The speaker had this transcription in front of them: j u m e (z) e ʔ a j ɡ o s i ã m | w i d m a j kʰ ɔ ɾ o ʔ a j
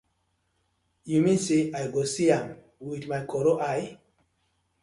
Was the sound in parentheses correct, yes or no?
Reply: no